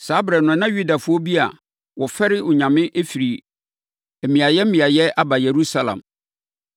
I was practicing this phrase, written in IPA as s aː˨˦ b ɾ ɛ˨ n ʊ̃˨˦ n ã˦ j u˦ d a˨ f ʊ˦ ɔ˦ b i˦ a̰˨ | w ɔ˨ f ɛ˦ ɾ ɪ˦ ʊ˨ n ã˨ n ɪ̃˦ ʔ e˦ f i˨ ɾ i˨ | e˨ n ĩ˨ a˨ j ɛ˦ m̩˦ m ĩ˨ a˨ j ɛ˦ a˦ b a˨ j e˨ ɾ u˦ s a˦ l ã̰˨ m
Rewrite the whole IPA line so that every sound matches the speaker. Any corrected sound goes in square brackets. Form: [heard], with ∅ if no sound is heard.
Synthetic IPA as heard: s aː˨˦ b ɾ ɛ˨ n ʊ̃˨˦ n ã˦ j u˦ d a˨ f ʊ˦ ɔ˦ b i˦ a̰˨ | w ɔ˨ f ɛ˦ ɾ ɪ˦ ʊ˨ [ɲ] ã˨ [m] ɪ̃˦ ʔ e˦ f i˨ ɾ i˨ | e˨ [m] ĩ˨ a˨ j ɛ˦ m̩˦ m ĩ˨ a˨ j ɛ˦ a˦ b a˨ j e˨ ɾ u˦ s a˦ l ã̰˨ m